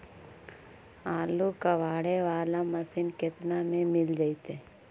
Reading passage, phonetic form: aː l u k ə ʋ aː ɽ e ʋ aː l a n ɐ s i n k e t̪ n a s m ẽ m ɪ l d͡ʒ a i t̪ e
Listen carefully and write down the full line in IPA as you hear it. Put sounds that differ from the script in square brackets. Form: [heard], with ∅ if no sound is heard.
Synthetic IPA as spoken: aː l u k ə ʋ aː ɽ e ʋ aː l a [m] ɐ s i n k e t̪ n a [∅] m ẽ m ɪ l d͡ʒ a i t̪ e